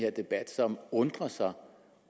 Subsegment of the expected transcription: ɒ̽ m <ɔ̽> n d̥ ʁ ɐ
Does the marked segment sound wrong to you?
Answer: no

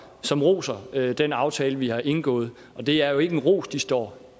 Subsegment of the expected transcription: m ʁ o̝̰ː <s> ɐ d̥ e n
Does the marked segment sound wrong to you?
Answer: no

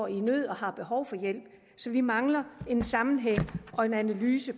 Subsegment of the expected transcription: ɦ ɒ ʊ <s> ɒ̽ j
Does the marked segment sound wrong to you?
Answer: yes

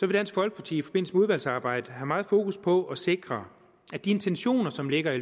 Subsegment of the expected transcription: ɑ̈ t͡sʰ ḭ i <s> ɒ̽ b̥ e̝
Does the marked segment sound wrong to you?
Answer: yes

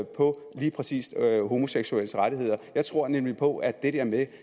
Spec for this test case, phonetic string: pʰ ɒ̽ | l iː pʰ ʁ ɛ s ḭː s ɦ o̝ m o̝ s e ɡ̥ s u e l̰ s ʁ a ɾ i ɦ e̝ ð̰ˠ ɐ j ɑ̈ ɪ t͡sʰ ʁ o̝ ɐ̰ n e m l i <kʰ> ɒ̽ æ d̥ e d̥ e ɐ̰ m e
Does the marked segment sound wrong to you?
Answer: yes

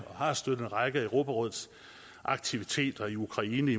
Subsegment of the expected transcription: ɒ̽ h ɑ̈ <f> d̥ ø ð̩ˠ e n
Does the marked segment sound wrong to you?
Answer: yes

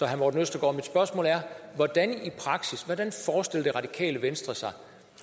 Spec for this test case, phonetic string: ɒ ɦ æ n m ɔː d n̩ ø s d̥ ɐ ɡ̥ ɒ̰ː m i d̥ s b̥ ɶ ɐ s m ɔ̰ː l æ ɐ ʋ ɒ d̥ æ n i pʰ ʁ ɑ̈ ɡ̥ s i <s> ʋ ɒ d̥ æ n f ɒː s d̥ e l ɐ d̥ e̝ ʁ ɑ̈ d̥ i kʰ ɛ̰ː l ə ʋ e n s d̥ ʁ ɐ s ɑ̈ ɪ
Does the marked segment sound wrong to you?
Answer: no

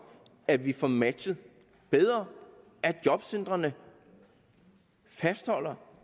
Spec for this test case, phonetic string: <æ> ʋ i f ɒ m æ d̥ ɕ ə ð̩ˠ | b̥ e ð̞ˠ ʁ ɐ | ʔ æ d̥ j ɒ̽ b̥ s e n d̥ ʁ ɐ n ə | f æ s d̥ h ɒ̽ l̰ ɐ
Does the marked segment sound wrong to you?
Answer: no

